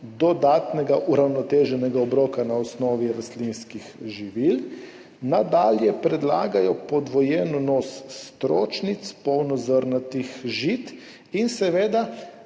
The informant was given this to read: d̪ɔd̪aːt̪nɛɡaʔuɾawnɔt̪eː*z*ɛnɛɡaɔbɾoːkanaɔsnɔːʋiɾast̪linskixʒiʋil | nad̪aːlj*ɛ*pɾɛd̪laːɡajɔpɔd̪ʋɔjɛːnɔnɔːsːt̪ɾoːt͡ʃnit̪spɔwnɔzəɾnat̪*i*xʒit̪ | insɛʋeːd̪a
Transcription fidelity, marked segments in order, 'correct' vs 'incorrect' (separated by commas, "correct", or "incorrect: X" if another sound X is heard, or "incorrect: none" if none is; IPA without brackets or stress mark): incorrect: ʒ, correct, correct